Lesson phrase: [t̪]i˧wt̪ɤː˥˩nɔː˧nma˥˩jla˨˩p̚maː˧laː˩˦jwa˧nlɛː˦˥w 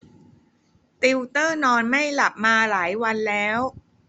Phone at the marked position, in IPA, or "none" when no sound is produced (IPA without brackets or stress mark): t̪